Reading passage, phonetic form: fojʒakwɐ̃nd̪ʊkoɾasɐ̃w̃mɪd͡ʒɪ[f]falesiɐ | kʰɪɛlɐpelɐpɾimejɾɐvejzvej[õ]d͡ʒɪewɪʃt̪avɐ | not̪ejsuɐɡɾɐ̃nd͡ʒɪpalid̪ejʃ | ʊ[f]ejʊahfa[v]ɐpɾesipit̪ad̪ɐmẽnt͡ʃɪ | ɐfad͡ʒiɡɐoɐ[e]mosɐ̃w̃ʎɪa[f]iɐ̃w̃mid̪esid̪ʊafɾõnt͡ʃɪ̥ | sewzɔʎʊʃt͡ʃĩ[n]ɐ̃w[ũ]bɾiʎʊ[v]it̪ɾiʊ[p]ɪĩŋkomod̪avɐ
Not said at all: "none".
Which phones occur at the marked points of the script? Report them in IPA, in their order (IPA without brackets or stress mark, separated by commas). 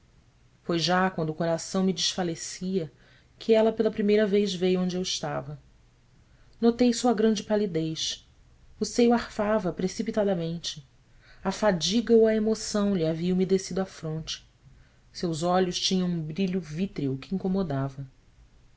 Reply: ʃ, õ, s, v, e, v, ɲ, ũ, v, k